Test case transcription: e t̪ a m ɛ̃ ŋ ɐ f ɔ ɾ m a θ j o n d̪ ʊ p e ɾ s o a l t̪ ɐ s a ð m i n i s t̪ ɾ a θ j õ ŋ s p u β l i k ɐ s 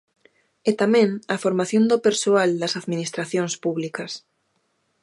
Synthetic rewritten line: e t̪ a m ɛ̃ ŋ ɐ f o ɾ m a θ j o n d̪ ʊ p e ɾ s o a l d̪ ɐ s a ð m i n i s t̪ ɾ a θ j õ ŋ s p u β l i k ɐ s